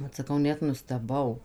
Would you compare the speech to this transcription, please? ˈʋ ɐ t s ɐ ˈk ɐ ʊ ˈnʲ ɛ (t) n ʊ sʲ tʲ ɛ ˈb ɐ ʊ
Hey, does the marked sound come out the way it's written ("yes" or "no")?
yes